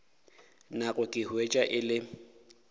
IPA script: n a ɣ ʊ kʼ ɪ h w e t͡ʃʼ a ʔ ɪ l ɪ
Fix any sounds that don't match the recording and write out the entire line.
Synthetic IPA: n a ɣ ʊ kʼ ɪ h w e t͡ʃʼ a ʔ ɪ l ɪ